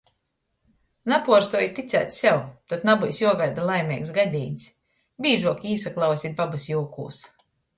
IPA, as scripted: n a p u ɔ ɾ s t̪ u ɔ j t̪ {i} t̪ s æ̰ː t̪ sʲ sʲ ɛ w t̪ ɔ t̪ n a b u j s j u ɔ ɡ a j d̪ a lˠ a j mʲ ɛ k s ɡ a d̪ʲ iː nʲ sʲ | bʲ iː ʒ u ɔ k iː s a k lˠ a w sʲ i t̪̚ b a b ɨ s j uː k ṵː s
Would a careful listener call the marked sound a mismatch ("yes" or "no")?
no